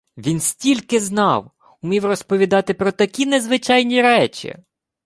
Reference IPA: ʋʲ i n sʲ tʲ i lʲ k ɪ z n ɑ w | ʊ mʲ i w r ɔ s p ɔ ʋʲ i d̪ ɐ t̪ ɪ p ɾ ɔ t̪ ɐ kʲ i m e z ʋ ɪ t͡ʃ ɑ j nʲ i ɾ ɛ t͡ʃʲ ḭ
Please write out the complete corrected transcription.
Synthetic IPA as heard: ʋʲ i n sʲ tʲ i lʲ k ɪ z n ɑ w | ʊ mʲ i w r ɔ s p ɔ ʋʲ i d̪ ɑ t̪ ɪ p ɾ ɔ t̪ ɐ kʲ i n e z ʋ ɪ t͡ʃ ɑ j nʲ i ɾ ɛ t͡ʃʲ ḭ

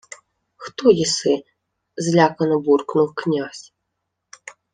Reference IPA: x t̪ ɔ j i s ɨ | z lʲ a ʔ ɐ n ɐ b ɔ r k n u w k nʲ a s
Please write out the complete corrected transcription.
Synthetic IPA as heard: x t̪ ɔ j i s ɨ | z lʲ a k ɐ n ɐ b u r k n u w k nʲ a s

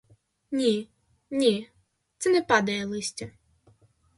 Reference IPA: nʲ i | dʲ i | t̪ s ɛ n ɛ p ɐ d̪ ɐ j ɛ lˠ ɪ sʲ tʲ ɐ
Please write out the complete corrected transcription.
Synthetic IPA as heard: nʲ i | nʲ i | t̪ s ɛ n ɛ p ɑ d̪ ɐ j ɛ lˠ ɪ sʲ tʲ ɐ

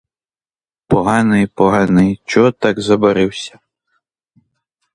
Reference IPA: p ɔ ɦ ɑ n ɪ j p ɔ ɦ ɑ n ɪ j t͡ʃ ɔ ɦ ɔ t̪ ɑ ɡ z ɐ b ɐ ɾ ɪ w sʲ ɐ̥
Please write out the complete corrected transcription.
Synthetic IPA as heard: p ɔ ɦ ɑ n ɪ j p ɔ ɦ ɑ n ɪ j t͡ʃ ɔ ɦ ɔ t̪ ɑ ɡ z ɐ b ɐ ɾ ɪ w sʲ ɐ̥

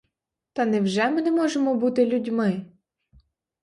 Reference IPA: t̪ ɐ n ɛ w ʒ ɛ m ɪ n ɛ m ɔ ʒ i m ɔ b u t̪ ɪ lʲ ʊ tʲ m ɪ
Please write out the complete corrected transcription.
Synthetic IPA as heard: t̪ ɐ n ɛ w ʒ ɛ m ɪ n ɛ m ɔ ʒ e m ɔ b u t̪ ɪ lʲ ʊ dʲ m ɪ

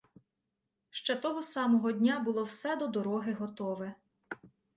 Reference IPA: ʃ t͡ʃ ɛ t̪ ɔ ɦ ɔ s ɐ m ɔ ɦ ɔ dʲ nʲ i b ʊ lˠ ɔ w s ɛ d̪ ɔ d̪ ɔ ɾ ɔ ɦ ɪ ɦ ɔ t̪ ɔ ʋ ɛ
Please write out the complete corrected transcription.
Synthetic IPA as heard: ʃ t͡ʃ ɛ t̪ ɔ ɦ ɔ s ɑ m ɔ ɦ ɔ dʲ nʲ a b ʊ lˠ ɔ w s ɛ d̪ ɔ d̪ ɔ ɾ ɔ ɦ ɪ ɦ ɔ t̪ ɔ ʋ ɛ

